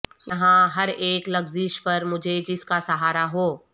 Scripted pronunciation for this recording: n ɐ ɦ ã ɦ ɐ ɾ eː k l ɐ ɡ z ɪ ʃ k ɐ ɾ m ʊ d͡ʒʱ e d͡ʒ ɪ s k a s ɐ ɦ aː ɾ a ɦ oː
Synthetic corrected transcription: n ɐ ɦ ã ɦ ɐ ɾ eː k l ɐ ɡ z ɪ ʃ p ɐ ɾ m ʊ d͡ʒʱ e d͡ʒ ɪ s k a s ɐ ɦ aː ɾ a ɦ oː